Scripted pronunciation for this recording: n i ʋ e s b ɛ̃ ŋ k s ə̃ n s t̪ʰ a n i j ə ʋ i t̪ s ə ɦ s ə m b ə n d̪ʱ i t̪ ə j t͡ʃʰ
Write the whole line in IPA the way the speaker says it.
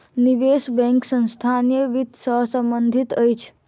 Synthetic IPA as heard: n i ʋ e s b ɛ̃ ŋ k s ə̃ n s t̪ʰ a n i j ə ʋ i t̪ s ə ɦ s ə m b ə n d̪ʱ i t̪ ə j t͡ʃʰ